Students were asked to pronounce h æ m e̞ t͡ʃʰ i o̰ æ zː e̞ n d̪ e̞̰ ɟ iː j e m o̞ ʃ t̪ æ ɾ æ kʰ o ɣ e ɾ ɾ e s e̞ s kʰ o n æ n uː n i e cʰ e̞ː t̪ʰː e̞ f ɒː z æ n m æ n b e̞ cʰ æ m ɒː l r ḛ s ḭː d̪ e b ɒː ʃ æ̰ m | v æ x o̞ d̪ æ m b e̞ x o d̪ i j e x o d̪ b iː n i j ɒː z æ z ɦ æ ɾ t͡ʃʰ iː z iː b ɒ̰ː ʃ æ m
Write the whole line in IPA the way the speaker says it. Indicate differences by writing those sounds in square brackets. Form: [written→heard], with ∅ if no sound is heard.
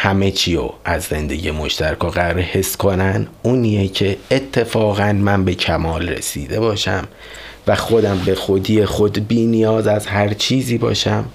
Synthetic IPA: h æ m e̞ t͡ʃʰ i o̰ æ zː e̞ n d̪ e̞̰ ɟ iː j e m o̞ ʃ t̪ æ ɾ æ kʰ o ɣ [e→æ] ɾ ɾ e [s→h] e̞ s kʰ o n æ n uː n i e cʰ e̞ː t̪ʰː e̞ f ɒː [z→ɣ] æ n m æ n b e̞ cʰ æ m ɒː l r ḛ s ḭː d̪ e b ɒː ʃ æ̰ m | v æ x o̞ d̪ æ m b e̞ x o d̪ i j e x o d̪ b iː n i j ɒː z æ z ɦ æ ɾ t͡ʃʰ iː z iː b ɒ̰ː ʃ æ m